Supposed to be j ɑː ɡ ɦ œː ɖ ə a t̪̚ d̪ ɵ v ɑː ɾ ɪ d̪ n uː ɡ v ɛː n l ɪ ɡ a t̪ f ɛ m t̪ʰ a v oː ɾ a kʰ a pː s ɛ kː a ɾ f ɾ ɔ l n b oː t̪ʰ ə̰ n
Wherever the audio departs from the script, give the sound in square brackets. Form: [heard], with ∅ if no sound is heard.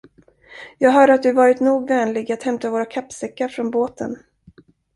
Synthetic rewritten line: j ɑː ɡ ɦ œː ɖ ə a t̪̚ d̪ ɵ v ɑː ɾ ɪ [t̪] n uː ɡ v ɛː n l ɪ ɡ a t̪ [h] ɛ m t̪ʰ a v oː ɾ a kʰ a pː s ɛ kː a ɾ f ɾ ɔ [∅] n b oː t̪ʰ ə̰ n